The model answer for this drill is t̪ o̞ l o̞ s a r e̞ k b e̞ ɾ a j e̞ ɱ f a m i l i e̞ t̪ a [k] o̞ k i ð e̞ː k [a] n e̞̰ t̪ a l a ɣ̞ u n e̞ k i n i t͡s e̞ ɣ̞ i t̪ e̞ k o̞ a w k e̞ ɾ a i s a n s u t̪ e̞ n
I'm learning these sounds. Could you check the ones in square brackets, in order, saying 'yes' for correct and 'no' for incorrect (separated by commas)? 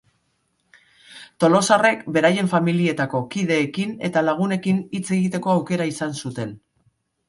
yes, no